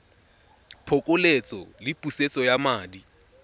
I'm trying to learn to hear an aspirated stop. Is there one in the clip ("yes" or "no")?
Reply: yes